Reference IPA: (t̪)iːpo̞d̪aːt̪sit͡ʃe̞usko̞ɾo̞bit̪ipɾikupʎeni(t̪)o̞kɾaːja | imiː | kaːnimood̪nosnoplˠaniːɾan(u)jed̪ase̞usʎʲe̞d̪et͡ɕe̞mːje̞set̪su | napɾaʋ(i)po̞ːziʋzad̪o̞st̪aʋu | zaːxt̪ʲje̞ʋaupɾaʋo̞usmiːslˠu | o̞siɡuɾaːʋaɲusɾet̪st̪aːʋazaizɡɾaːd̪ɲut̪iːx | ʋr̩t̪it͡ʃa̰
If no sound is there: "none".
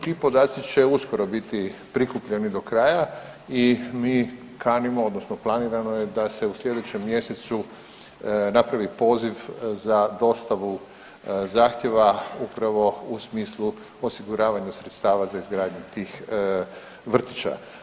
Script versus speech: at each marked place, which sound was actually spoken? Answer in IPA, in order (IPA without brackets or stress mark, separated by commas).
t̪, d̪, o, i